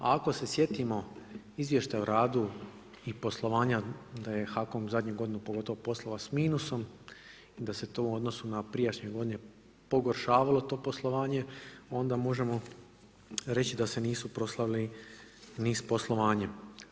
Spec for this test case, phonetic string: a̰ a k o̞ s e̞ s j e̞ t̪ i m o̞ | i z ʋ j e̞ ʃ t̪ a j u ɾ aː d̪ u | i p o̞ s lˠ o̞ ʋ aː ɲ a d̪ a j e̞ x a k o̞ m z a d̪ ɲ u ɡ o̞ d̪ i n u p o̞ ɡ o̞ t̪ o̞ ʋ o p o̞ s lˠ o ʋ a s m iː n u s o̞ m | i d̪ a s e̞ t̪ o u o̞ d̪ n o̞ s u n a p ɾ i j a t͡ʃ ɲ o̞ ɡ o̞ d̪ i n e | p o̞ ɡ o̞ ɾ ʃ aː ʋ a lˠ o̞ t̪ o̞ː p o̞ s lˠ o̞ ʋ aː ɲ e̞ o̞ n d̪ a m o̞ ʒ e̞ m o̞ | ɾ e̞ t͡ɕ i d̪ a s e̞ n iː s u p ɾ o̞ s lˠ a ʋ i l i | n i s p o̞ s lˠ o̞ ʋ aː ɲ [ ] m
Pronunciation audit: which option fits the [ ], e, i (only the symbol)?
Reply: e